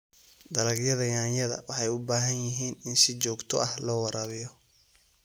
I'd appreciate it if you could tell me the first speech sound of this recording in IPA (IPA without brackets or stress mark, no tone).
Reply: d̪